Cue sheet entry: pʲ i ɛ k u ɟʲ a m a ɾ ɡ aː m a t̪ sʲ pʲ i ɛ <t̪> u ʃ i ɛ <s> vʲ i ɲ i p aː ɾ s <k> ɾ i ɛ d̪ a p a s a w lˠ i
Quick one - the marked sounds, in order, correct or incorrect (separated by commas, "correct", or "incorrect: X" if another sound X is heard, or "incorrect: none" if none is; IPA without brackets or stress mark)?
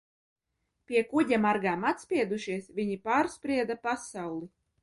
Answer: incorrect: d̪, correct, incorrect: p